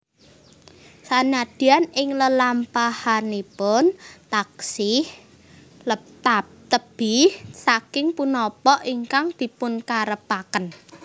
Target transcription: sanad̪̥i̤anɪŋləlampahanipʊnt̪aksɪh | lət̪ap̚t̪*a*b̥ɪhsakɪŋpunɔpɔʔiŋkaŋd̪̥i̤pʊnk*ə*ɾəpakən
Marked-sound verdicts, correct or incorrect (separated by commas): incorrect, incorrect